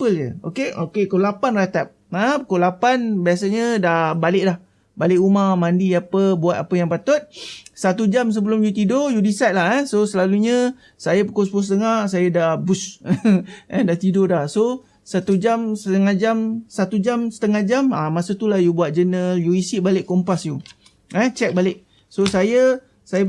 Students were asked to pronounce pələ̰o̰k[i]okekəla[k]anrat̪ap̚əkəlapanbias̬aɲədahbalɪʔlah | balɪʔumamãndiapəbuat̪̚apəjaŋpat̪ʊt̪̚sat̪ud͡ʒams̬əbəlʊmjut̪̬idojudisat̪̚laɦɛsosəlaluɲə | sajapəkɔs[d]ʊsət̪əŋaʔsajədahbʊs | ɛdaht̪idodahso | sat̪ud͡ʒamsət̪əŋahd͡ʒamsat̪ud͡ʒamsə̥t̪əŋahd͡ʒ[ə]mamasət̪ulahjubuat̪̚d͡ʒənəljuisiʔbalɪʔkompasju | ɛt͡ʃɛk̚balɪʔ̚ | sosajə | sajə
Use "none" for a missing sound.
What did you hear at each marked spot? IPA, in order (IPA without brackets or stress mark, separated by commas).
e, p, b, a